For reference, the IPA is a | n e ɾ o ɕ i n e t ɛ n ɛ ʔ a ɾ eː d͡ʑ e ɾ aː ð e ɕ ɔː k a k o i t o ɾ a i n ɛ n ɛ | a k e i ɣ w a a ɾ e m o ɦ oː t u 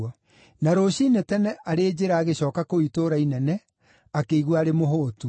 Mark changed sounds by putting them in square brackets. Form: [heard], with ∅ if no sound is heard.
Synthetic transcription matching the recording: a | n [a] ɾ o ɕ i n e t ɛ n ɛ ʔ a ɾ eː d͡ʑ e ɾ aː [ɣ] e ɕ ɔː k a k o i t o ɾ a i n ɛ n ɛ | a k e i ɣ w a a ɾ e m o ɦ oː t u